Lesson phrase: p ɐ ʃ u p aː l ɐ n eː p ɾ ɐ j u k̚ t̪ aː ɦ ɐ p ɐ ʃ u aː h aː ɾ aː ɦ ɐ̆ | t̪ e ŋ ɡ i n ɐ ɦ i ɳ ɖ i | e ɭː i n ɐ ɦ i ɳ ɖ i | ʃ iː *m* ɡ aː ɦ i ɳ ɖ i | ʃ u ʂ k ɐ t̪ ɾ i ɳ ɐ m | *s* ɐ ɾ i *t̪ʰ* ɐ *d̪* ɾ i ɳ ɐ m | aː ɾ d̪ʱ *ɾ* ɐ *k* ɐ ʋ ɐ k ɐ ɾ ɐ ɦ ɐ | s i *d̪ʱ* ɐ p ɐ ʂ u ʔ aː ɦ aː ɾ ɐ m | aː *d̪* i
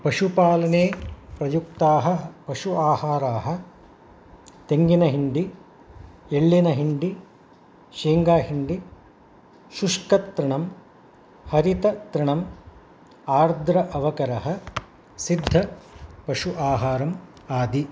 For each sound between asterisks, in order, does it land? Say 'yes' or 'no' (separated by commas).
no, no, no, no, yes, no, no, yes